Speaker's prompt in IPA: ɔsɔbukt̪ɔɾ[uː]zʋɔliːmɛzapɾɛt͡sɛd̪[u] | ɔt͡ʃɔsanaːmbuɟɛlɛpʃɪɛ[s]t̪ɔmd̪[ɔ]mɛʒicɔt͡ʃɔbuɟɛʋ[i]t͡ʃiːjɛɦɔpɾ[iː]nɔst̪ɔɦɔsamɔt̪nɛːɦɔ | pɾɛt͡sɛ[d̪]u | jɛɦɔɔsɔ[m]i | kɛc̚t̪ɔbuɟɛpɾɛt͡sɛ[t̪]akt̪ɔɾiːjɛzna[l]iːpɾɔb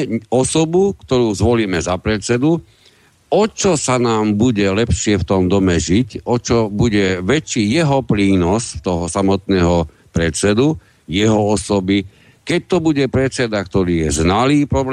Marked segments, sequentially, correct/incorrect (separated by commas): correct, correct, incorrect, correct, incorrect, correct, correct, incorrect, incorrect, correct